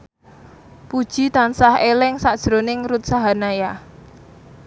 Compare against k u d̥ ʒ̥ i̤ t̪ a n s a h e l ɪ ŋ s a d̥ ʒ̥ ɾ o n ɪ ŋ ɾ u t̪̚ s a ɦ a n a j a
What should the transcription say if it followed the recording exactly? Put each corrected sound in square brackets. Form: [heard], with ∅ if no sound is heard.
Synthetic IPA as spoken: [p] u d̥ ʒ̥ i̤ t̪ a n s a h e l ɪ ŋ s a d̥ ʒ̥ ɾ o n ɪ ŋ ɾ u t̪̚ s a ɦ a n a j a

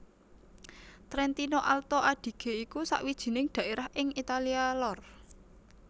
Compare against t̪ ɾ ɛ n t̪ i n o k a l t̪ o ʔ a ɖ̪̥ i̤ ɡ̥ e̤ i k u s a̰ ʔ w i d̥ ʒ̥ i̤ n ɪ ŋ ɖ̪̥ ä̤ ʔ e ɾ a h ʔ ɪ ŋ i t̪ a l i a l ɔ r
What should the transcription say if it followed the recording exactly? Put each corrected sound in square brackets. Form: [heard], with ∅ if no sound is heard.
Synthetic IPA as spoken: t̪ ɾ ɛ n t̪ i n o [ʔ] a l t̪ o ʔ a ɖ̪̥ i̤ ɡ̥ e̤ i k u s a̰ ʔ w i d̥ ʒ̥ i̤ n ɪ ŋ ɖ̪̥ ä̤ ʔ e ɾ a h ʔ ɪ ŋ i t̪ a l i a l ɔ r

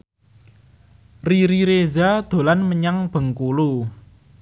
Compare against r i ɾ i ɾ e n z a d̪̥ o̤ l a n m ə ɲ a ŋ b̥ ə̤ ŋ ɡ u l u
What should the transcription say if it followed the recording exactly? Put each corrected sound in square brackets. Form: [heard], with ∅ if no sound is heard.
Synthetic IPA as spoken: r i ɾ i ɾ e [∅] z a d̪̥ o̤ l a n m ə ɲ a ŋ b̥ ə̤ ŋ [k] u l u

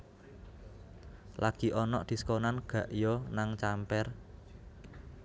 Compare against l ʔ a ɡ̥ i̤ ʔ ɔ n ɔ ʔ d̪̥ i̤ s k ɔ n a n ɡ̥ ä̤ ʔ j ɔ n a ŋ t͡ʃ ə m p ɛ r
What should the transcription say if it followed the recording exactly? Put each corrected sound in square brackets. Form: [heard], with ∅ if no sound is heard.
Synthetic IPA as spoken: l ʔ a ɡ̥ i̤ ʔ ɔ n ɔ ʔ d̪̥ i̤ s k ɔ n a n ɡ̥ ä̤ ʔ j ɔ n a ŋ t͡ʃ [a] m p ɛ r

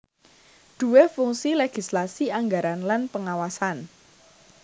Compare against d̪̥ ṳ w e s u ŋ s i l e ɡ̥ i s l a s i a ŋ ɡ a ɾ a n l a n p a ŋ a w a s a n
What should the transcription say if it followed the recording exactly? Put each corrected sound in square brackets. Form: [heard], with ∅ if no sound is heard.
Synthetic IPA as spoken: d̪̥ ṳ w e [f] u ŋ s i l e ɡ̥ i s l a s i a ŋ ɡ a ɾ a n l a n p [ə] ŋ a w a s a n

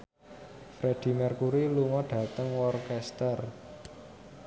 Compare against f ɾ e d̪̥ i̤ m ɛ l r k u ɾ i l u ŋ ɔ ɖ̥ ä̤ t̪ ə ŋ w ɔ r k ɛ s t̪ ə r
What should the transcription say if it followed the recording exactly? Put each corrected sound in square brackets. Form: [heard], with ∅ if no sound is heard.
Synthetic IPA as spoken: f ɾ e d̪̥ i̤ m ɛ [∅] r k u ɾ i l u ŋ ɔ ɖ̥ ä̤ t̪ ə ŋ w ɔ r k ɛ s t̪ ə r

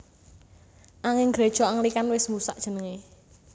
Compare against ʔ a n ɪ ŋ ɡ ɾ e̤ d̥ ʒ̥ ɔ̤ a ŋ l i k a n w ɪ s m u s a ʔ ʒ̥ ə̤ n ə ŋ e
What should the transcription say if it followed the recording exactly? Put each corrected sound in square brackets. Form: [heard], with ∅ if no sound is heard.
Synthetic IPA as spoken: ʔ a [ŋ] ɪ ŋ ɡ ɾ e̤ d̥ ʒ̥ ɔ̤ a ŋ l i k a n w ɪ s m u s a ʔ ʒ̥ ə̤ n ə ŋ e

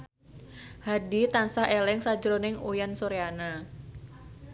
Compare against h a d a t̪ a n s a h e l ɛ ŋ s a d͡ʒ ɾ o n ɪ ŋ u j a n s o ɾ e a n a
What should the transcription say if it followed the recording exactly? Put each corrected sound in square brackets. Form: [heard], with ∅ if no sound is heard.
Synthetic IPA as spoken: h a d [i] t̪ a n s a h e l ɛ ŋ s a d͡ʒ ɾ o n ɪ ŋ u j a n s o ɾ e a n a

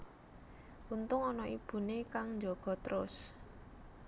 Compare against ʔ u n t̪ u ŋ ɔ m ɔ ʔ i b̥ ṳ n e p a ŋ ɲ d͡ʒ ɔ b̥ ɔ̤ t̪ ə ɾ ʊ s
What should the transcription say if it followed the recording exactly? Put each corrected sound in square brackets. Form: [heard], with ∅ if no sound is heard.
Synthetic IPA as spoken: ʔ u n t̪ [ʊ] ŋ ɔ [n] ɔ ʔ i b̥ ṳ n e [k] a ŋ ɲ d͡ʒ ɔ [ɡ̥] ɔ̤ t̪ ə ɾ ʊ s

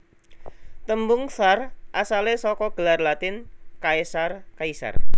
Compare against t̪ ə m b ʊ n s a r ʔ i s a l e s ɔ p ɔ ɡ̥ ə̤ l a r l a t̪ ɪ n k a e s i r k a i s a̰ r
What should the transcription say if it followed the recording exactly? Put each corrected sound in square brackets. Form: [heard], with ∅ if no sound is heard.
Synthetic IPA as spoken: t̪ ə m b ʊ [ŋ] s a r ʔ [a] s a l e s ɔ [k] ɔ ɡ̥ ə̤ l a r l a t̪ ɪ n k a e s [a] r k a i s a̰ r

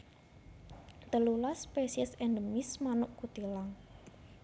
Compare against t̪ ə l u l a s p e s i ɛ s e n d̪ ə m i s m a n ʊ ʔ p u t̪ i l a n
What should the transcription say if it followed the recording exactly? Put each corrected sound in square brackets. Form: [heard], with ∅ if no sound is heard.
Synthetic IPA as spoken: t̪ ə l u l a s p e s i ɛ s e n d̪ ə m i s m a n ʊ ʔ [k] u t̪ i l a [ŋ]

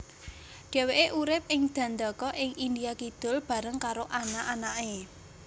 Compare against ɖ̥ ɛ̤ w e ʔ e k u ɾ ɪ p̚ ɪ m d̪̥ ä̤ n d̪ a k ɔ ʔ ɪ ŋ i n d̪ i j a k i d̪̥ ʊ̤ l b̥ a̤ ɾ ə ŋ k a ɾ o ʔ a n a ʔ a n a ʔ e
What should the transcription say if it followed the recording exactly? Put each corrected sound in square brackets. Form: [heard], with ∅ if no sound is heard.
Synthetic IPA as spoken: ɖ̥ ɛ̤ w e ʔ e [ʔ] u ɾ ɪ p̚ ɪ [ŋ] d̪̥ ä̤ n d̪ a k ɔ ʔ ɪ ŋ i n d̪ i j a k i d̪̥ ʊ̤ l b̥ a̤ ɾ ə ŋ k a ɾ o ʔ a n a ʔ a n a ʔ e

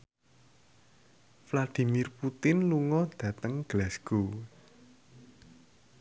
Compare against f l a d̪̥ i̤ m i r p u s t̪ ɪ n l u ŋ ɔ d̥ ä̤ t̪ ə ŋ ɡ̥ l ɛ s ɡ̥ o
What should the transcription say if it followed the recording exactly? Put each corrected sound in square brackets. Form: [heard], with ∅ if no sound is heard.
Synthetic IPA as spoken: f l a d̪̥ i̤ m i r p u [∅] t̪ ɪ n l u ŋ ɔ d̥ ä̤ t̪ ə ŋ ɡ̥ l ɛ s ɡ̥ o

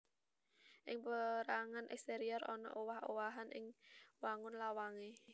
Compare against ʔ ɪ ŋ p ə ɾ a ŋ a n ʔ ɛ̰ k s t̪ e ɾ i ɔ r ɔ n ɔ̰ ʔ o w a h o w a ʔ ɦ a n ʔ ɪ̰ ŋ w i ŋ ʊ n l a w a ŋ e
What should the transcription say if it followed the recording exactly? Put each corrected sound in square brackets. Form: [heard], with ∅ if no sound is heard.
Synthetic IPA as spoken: ʔ ɪ ŋ p ə ɾ a ŋ a n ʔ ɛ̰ k s t̪ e ɾ i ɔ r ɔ n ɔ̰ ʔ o w a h o w a [∅] ɦ a n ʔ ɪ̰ ŋ w [a] ŋ ʊ n l a w a ŋ e

